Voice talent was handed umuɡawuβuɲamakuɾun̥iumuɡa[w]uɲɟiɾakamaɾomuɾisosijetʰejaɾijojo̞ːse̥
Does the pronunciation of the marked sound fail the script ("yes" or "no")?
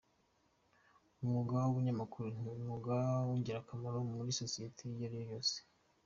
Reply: no